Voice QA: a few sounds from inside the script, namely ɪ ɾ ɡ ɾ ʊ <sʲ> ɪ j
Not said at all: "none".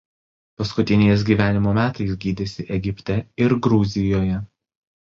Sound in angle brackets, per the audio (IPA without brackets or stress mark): zʲ